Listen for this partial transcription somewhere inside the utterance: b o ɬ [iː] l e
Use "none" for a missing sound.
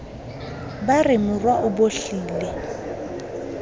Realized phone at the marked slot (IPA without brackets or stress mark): iː